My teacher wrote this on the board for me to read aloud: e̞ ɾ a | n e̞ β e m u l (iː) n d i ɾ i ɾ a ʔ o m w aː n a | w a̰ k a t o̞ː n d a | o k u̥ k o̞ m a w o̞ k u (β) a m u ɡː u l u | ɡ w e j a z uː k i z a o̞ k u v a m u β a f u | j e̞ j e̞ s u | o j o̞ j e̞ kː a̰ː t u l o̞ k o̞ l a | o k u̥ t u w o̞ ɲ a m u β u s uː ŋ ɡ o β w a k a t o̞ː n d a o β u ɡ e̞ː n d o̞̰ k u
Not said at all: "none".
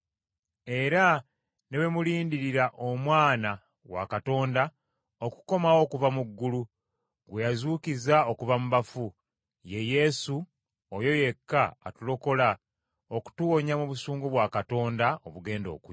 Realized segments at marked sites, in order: iː, v

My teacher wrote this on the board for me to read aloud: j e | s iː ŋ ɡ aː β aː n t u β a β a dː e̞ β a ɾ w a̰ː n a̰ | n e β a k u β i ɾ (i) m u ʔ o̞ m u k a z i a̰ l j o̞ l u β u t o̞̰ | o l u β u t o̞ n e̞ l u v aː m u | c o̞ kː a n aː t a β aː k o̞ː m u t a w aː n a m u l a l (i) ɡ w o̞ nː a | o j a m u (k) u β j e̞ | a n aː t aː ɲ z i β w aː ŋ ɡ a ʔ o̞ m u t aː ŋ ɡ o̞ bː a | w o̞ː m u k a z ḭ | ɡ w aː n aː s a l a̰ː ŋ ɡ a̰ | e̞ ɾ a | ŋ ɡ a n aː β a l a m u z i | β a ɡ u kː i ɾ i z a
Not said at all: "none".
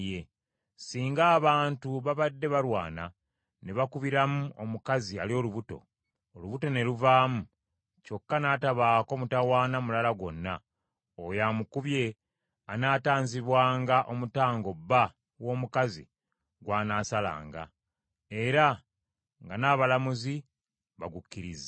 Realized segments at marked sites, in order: a, a, k

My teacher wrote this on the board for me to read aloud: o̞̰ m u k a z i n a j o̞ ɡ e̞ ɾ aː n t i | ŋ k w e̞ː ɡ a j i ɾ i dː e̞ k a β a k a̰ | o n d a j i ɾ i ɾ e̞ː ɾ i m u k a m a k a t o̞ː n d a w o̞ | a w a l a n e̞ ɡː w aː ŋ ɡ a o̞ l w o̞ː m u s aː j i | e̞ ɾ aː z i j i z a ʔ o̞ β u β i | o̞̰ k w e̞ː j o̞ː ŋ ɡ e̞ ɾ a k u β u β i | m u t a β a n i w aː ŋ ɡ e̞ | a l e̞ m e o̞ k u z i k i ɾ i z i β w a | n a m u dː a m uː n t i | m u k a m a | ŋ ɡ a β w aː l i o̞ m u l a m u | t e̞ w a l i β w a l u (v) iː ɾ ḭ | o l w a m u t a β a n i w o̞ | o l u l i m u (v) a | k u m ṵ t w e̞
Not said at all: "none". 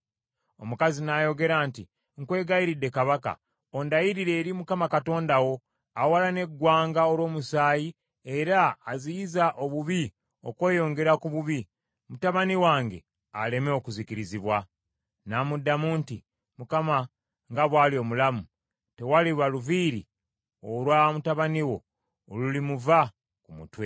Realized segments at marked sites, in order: v, v

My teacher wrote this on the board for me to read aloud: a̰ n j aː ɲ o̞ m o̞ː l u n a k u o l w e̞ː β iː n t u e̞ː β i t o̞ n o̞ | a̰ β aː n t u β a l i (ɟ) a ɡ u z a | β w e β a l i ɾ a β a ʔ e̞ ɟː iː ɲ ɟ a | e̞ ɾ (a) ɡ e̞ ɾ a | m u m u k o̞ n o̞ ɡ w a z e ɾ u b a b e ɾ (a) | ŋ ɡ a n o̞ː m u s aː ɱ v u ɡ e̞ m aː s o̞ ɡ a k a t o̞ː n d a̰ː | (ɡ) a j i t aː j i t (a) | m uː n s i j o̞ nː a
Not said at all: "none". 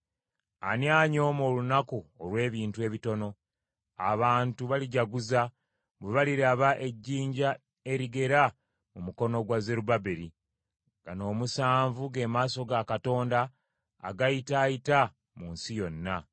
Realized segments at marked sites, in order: ɟ, i, i, ɡ, a

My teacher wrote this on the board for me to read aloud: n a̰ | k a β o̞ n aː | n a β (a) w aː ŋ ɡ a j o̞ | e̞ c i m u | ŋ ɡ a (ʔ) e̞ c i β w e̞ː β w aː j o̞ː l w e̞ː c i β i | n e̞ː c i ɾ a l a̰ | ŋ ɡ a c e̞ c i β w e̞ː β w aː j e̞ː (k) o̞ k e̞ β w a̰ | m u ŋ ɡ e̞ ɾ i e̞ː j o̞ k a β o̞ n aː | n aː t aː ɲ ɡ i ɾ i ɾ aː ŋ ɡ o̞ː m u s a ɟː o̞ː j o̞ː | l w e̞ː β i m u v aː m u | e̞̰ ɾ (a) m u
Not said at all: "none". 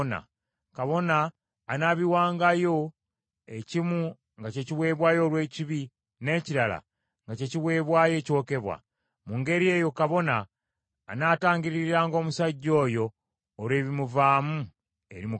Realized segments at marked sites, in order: i, c, c, i

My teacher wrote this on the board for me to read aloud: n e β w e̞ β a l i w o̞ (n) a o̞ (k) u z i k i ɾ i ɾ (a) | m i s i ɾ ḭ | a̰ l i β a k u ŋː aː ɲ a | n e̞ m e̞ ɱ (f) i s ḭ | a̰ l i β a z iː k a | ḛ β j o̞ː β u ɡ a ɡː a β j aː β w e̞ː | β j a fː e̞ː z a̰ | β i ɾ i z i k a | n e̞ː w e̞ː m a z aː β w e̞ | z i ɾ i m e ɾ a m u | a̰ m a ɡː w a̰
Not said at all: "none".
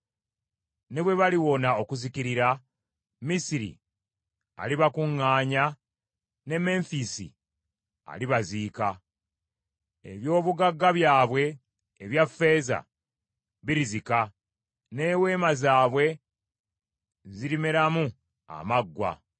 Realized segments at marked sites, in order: n, k, a, f

